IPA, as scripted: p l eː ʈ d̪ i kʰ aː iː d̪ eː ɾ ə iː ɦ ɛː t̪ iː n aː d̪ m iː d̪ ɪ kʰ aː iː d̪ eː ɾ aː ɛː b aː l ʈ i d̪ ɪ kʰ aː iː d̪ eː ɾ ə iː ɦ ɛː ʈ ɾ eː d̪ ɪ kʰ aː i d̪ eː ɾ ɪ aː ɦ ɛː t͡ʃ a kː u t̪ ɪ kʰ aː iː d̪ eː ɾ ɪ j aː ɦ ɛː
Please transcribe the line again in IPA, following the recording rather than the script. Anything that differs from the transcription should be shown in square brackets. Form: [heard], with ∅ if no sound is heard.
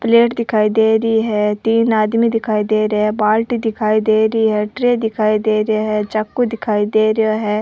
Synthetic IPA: p l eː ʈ d̪ [ɪ] kʰ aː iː d̪ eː ɾ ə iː ɦ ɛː t̪ iː n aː d̪ m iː d̪ ɪ kʰ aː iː d̪ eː ɾ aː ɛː b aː l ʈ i d̪ ɪ kʰ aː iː d̪ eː ɾ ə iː ɦ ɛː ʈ ɾ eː d̪ ɪ kʰ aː i d̪ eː ɾ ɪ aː ɦ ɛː t͡ʃ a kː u [d̪] ɪ kʰ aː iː d̪ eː ɾ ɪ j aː ɦ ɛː